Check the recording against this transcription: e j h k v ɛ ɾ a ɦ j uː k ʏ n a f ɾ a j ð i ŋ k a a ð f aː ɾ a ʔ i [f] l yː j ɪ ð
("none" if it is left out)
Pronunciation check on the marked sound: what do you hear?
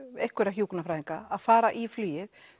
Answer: f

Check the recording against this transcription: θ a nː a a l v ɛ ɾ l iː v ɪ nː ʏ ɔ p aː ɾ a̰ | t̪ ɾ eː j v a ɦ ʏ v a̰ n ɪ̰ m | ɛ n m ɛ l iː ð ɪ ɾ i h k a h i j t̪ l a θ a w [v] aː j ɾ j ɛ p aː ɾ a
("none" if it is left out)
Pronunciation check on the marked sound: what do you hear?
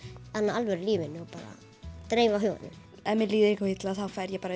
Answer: f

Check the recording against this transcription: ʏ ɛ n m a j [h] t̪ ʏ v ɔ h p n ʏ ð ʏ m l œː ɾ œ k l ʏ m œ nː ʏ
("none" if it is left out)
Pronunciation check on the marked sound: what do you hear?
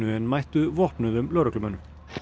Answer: h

